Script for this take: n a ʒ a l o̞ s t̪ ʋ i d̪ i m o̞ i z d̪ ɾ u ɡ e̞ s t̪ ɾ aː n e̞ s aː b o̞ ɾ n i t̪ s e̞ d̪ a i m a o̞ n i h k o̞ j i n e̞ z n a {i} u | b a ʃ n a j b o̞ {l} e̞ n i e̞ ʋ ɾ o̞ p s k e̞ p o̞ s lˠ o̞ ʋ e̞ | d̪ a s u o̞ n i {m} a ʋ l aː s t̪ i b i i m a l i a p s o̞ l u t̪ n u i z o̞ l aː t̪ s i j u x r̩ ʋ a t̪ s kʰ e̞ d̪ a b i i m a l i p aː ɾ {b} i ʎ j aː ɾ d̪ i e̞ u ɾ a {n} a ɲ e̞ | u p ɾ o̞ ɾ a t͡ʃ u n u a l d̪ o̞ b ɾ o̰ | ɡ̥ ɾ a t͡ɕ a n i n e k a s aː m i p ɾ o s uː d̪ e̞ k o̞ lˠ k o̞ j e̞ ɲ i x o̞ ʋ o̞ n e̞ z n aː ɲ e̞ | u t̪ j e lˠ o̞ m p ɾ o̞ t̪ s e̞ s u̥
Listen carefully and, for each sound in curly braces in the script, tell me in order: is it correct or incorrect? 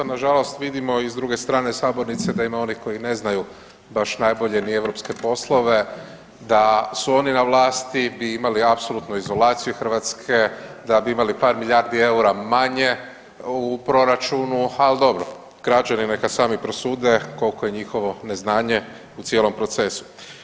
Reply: incorrect: j, incorrect: ʎ, incorrect: n, incorrect: m, incorrect: m

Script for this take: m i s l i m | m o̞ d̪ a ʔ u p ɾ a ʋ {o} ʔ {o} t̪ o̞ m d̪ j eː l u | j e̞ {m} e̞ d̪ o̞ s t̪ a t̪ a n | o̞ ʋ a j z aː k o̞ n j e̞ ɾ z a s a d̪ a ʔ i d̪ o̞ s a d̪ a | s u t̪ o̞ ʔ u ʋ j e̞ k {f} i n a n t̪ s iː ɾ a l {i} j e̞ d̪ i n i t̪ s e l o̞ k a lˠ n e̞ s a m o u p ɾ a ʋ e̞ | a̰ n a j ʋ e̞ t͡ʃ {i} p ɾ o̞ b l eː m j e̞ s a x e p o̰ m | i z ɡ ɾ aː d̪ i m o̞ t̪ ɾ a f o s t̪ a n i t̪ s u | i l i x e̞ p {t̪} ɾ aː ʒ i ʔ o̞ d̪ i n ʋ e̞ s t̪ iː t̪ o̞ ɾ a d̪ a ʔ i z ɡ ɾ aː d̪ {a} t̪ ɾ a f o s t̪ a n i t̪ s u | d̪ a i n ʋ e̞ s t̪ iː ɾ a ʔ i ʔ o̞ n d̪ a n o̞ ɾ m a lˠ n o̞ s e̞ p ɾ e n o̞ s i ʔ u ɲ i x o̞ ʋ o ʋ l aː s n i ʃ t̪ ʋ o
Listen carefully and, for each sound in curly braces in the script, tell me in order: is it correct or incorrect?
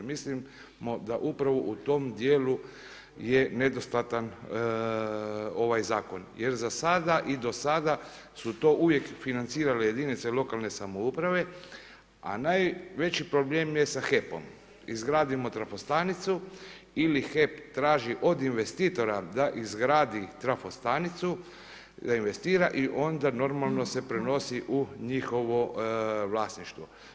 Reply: correct, incorrect: u, incorrect: n, correct, incorrect: e, correct, correct, incorrect: i

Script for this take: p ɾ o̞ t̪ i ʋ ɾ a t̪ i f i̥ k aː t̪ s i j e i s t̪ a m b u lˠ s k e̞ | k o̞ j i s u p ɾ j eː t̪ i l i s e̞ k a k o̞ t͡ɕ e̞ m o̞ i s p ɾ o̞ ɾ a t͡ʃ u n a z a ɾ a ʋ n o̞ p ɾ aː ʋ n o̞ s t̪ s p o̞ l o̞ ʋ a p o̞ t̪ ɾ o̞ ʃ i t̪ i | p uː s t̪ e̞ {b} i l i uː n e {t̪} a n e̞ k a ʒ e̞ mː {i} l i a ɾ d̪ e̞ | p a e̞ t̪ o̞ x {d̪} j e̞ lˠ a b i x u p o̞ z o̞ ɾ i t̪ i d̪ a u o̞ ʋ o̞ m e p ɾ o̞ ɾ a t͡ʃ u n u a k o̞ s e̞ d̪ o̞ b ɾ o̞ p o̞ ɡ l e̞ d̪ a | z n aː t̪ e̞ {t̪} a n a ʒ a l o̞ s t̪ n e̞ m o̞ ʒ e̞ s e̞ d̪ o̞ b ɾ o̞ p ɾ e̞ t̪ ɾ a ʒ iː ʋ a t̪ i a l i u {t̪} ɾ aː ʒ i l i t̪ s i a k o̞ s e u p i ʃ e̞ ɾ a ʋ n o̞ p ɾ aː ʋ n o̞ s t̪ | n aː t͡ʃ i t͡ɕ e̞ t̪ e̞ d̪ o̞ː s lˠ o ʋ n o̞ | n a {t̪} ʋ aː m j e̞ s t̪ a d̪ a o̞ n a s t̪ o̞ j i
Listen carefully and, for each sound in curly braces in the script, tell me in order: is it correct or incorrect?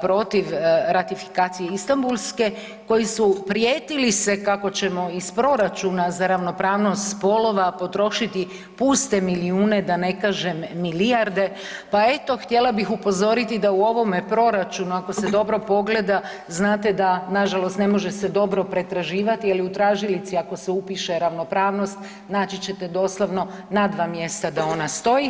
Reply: incorrect: m, incorrect: d̪, correct, incorrect: t̪, incorrect: d̪, correct, incorrect: d̪

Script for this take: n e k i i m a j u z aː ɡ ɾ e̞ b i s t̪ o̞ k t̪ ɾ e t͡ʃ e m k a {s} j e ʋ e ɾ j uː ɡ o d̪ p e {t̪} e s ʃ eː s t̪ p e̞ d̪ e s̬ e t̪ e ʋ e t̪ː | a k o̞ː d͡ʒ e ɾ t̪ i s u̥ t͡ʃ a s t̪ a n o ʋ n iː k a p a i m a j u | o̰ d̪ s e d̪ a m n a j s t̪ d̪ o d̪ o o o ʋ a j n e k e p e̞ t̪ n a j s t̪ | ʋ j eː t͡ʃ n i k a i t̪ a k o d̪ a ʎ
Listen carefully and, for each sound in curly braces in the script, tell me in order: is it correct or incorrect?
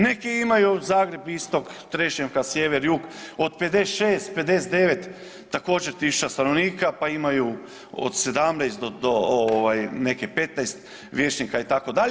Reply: correct, incorrect: d̪

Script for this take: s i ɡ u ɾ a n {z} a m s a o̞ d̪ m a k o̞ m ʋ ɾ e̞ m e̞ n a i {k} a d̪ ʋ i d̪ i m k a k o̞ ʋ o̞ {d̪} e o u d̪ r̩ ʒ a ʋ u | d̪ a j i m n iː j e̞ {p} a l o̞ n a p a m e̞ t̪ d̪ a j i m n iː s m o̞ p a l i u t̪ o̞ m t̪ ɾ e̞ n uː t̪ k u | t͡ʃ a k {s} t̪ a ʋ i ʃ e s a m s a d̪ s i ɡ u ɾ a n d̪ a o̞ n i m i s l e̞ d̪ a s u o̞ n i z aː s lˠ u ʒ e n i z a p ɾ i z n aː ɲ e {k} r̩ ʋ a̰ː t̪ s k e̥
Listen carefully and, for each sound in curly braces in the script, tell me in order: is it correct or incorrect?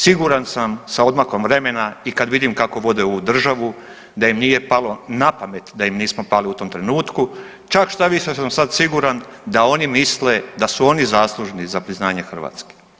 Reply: incorrect: s, correct, correct, correct, incorrect: ʃ, incorrect: x

